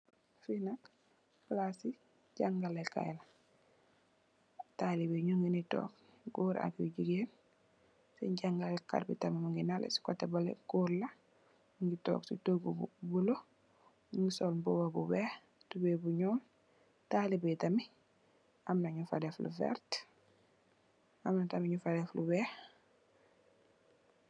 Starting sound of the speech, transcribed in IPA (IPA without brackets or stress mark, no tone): f